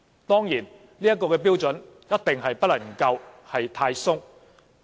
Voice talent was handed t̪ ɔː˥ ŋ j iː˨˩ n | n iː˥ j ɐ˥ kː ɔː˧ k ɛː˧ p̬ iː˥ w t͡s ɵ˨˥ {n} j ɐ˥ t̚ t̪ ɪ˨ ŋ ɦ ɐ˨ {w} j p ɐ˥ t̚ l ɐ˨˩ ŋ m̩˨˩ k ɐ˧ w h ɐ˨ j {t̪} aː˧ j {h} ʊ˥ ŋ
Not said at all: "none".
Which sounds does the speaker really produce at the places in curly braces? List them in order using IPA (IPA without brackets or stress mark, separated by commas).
n, none, t̪ʰ, s